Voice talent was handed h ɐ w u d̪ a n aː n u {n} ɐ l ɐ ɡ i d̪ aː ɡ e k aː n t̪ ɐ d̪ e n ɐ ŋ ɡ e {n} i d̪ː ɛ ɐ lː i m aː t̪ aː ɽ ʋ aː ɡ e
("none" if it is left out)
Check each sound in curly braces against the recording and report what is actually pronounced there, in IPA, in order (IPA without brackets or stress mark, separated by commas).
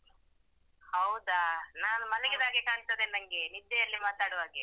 m, n